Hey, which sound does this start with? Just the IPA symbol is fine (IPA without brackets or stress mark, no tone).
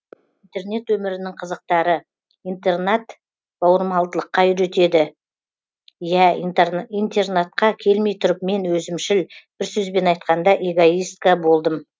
i